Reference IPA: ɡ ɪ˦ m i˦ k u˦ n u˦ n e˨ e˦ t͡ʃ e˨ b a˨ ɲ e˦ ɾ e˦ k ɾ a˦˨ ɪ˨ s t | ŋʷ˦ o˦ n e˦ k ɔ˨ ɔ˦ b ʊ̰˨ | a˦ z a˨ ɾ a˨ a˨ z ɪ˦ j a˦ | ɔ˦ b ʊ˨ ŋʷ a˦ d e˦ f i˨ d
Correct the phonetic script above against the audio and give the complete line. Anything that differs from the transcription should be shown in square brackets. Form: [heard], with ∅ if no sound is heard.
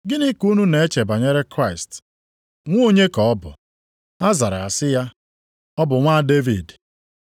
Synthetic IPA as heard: ɡ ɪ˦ [n] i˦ k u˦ n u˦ n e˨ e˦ t͡ʃ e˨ b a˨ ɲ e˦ ɾ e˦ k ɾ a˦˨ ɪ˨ s t | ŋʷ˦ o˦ [ɲ] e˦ k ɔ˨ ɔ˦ b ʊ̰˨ | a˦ z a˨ ɾ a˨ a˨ [s] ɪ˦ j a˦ | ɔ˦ b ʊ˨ ŋʷ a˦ d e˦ [v] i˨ d